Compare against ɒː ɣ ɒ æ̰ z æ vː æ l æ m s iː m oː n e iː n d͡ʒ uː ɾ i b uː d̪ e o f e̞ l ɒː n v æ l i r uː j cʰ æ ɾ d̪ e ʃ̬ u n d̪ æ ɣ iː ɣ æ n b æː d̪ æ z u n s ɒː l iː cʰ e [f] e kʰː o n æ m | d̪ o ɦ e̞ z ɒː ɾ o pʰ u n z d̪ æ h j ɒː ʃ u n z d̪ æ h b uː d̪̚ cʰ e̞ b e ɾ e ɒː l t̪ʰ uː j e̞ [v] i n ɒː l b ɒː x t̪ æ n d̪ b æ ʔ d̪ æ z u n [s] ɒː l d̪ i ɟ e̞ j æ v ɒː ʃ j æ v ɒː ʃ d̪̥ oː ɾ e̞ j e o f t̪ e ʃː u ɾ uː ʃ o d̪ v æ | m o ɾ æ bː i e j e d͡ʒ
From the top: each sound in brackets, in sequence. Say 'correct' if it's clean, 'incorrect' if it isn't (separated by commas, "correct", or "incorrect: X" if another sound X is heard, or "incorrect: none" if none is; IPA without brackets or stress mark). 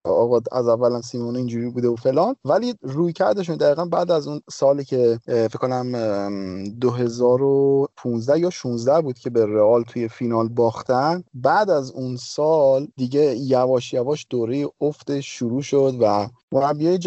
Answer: correct, incorrect: f, correct